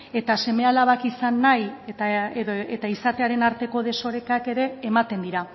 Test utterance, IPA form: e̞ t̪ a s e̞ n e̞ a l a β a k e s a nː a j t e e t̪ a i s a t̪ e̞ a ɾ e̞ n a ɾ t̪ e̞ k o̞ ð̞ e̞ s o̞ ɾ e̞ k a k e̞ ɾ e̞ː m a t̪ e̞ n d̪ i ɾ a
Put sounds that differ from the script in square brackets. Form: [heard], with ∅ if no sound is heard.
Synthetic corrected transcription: e̞ t̪ a s e̞ [m] e̞ a l a β a k [i] s a nː a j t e e t̪ a i s a t̪ e̞ a ɾ e̞ n a ɾ t̪ e̞ k o̞ ð̞ e̞ s o̞ ɾ e̞ k a k e̞ ɾ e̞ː m a t̪ e̞ n d̪ i ɾ a